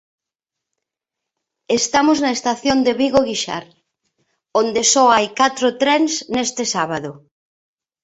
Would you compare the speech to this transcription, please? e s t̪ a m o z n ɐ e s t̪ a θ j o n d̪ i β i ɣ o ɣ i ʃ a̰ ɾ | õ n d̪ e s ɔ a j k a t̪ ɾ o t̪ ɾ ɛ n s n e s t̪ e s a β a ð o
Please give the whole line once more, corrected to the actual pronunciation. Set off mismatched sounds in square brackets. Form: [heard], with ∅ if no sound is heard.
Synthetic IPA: e s t̪ a m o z n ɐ e s t̪ a θ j o n d̪ [e] β i ɣ o ɣ i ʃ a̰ ɾ | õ n d̪ e s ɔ a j k a t̪ ɾ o t̪ ɾ ɛ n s n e s t̪ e s a β a ð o